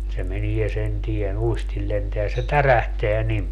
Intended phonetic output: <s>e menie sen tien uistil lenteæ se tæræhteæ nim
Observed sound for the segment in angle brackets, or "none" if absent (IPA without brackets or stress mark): s